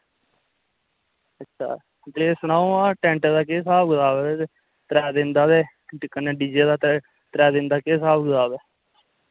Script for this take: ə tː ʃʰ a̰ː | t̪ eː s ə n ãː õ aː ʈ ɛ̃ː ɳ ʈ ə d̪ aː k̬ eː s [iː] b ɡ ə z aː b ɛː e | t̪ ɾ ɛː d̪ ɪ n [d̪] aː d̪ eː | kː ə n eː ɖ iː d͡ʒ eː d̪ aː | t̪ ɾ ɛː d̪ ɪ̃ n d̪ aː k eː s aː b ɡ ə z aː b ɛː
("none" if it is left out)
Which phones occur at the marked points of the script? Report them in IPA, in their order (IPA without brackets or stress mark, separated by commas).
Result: aː, d̪